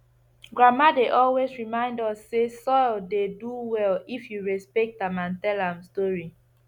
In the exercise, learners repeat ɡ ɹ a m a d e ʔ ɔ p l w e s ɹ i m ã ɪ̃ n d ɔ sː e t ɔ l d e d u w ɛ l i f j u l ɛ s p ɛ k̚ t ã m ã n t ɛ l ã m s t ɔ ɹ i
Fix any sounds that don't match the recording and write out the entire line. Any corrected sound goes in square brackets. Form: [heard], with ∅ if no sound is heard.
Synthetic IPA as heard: ɡ ɹ a m a d e ʔ ɔ [∅] l w e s ɹ i m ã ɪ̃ n d ɔ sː e [s] ɔ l d e d u w ɛ l i f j u [ɹ] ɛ s p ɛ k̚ t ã m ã n t ɛ l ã m s t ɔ ɹ i